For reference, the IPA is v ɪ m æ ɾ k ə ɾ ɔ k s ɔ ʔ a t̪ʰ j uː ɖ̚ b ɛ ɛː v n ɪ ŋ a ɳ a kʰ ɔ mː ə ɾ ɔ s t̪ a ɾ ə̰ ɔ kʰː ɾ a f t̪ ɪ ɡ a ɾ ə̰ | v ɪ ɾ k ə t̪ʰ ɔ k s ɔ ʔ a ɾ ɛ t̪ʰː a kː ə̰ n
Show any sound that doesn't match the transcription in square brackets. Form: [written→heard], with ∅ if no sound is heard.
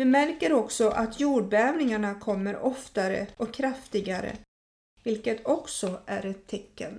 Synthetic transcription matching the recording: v ɪ m æ ɾ k ə ɾ ɔ k s ɔ ʔ a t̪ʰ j uː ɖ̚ b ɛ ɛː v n ɪ ŋ a ɳ a kʰ ɔ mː ə ɾ ɔ [s→f] t̪ a ɾ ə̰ ɔ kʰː ɾ a f t̪ ɪ ɡ a ɾ ə̰ | v ɪ [ɾ→l] k ə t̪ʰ ɔ k s ɔ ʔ [a→æ] ɾ ɛ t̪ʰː [a→ɛ] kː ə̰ n